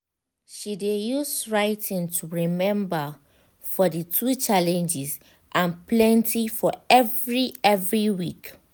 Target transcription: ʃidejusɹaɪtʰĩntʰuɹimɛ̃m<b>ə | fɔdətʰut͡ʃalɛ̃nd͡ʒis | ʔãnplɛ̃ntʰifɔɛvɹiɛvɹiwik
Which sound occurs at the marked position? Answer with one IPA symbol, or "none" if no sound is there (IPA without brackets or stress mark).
b